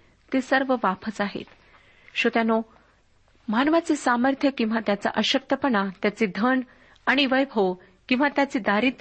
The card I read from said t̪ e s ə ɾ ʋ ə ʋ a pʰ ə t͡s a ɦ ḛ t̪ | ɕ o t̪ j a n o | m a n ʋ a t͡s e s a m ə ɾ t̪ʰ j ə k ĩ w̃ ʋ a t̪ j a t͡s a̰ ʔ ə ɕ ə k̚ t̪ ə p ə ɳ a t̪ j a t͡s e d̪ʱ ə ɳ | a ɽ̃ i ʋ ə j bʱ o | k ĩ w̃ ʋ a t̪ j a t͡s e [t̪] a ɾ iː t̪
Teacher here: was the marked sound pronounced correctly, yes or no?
no